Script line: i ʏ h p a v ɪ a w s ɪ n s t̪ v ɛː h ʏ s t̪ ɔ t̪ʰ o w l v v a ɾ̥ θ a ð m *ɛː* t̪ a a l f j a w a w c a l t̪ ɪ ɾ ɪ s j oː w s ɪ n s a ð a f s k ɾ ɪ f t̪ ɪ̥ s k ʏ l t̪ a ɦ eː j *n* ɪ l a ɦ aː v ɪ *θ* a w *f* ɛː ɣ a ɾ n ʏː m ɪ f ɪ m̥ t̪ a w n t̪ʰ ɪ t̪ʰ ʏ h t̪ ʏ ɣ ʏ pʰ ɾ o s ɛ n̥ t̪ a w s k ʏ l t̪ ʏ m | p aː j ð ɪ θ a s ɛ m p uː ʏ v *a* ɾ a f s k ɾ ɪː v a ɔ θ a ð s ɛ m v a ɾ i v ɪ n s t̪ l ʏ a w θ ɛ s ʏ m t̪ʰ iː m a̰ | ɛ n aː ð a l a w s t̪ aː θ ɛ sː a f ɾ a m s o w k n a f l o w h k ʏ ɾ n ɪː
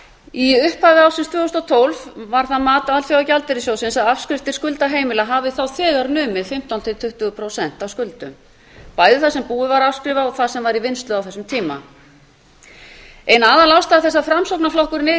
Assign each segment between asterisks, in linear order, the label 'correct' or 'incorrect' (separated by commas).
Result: incorrect, incorrect, correct, incorrect, correct